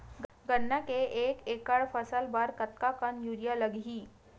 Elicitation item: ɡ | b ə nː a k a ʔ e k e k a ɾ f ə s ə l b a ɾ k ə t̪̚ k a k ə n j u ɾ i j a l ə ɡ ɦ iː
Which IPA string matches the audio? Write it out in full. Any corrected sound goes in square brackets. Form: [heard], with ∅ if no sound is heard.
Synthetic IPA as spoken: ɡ | [ɡ] ə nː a k [e] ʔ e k e k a [ɭ] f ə s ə l b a ɾ k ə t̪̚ k a k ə n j u ɾ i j a l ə ɡ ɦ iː

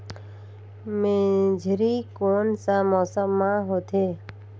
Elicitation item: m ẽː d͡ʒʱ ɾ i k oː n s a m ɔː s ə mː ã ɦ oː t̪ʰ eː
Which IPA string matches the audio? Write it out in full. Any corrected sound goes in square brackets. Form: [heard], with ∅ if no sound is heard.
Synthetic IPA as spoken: m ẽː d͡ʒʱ ɾ i k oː n s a m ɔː s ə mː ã ɦ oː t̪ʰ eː

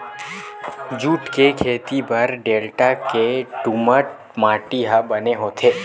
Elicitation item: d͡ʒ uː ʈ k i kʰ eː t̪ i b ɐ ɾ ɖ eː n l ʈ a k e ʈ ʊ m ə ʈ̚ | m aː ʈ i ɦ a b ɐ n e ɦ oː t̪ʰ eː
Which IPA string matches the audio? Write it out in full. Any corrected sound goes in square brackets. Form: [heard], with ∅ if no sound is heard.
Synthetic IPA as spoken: d͡ʒ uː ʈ k [e] kʰ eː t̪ i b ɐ ɾ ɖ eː [∅] l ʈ a k e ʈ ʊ m ə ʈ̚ | m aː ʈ i ɦ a b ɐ n e ɦ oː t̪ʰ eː

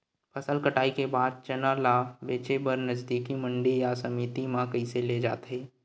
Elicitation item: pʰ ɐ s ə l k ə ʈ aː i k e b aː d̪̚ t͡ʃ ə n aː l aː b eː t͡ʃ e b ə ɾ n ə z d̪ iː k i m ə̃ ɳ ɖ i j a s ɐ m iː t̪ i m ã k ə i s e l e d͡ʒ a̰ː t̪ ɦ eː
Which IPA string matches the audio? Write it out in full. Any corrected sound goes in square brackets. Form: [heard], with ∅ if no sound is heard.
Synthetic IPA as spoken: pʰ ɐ s ə l k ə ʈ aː i k e b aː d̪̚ t͡ʃ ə n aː l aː b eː t͡ʃ e b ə ɾ n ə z d̪ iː k i m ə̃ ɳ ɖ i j a s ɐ m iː t̪ i m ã k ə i s e l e d͡ʒ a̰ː t̪ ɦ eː

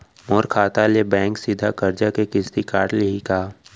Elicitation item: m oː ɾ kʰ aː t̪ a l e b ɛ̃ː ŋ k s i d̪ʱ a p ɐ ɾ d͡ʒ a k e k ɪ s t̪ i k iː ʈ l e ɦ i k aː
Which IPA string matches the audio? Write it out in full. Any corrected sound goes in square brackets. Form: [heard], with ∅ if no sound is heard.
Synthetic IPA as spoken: m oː ɾ kʰ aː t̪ a l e b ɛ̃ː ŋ k s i d̪ʱ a [k] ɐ ɾ d͡ʒ a k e k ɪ s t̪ i k [aː] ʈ l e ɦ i k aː

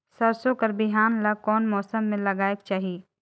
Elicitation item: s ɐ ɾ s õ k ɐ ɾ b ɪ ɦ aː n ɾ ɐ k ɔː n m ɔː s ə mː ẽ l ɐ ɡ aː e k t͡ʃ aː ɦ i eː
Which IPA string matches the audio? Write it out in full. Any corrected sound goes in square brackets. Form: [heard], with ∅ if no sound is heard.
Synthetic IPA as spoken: s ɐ ɾ s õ k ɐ ɾ b ɪ ɦ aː n [l] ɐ k ɔː n m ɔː s ə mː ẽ l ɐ ɡ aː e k t͡ʃ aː ɦ i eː

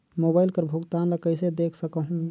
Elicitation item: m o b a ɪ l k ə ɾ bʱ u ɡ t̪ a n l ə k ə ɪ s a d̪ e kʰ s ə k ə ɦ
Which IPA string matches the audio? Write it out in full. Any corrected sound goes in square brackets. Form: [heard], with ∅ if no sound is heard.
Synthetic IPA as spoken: m o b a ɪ l k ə ɾ bʱ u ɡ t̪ a n l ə k ə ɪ s [e] d̪ e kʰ s ə k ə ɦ

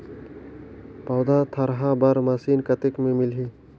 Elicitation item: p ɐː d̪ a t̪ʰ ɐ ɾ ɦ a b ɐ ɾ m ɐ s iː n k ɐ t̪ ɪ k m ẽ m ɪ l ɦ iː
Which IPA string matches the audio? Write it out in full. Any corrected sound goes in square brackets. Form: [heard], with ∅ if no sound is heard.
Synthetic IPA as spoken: p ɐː d̪ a t̪ʰ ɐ ɾ ɦ a b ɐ ɾ m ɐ s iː n k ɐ t̪ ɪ k m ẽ m ɪ l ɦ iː

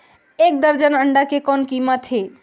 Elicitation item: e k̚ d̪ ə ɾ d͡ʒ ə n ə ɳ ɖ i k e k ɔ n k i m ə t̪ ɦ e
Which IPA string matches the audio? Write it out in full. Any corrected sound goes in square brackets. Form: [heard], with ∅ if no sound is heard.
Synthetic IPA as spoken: e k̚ d̪ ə ɾ d͡ʒ ə n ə ɳ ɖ [a] k e k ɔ n k i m ə t̪ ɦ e

